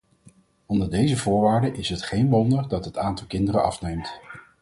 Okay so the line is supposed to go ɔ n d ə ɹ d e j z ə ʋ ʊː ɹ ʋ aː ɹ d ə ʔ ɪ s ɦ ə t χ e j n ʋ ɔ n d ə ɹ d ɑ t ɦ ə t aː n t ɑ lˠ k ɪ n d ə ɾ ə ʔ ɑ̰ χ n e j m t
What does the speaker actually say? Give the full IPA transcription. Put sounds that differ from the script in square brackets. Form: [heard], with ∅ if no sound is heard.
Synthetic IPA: ɔ n d ə ɹ d e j z ə [v] ʊː ɹ ʋ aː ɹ d ə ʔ ɪ s ɦ ə t χ e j n ʋ ɔ n d ə ɹ d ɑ t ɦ ə t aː n t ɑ lˠ k ɪ n d ə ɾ ə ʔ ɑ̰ [f] n e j m t